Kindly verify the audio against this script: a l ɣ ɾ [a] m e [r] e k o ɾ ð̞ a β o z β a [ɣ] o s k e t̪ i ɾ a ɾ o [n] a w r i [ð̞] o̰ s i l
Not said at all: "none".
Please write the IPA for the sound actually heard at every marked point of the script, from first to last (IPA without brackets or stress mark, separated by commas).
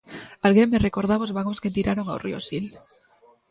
e, r, ɣ, ŋ, none